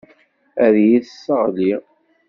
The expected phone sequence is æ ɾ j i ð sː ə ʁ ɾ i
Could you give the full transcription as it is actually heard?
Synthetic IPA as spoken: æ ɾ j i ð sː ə ʁ l i